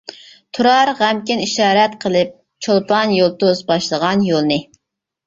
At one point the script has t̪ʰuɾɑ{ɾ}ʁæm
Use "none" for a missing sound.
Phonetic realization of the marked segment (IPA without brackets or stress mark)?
ɾ